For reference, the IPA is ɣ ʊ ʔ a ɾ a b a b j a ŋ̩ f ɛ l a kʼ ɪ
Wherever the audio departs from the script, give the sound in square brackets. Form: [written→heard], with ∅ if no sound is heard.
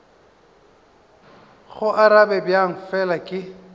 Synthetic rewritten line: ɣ ʊ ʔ a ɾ a b [a→ɛ] b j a ŋ̩ f ɛ l a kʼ ɪ